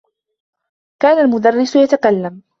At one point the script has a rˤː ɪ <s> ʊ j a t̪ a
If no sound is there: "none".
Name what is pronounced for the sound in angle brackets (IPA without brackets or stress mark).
s